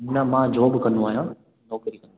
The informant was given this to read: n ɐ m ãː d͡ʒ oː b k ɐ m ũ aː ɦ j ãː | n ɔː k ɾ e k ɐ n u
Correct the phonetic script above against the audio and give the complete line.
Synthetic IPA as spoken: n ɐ m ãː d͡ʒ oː b k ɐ n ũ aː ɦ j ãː | n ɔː k ɾ i k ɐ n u